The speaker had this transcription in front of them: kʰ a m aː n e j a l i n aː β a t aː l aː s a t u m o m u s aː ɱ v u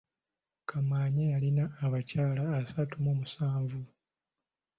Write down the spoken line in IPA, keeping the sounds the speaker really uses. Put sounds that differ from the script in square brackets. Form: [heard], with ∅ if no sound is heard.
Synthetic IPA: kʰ a m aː [ɲ] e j a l i n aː β a [c] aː l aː s a t u m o m u s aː ɱ v u